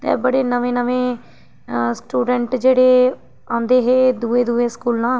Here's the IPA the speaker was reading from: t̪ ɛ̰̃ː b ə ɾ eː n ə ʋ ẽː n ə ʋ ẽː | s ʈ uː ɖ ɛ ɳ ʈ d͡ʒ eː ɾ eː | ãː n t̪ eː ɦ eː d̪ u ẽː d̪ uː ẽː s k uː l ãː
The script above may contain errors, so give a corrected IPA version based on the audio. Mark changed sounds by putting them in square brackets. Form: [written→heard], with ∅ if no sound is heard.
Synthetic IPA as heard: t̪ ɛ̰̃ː b ə [ɾ→ɽ] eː n ə ʋ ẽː n ə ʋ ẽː | s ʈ uː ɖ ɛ ɳ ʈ d͡ʒ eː [ɾ→ɽ] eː | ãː n [t̪→d̪] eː ɦ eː d̪ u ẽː d̪ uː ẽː s k uː l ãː